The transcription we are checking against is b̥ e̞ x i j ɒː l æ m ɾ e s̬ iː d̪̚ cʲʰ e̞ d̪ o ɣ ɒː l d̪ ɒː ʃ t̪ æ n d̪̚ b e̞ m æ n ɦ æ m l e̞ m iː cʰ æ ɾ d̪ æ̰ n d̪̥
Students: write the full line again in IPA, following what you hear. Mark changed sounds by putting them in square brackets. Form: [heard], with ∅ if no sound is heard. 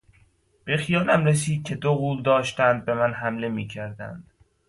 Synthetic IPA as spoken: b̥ e̞ x i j ɒː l æ m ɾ e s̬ iː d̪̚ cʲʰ e̞ d̪ o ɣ [uː] l d̪ ɒː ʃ t̪ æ n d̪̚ b e̞ m æ n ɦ æ m l e̞ m iː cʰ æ ɾ d̪ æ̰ n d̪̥